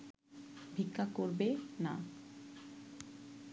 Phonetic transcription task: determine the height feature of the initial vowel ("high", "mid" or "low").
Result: high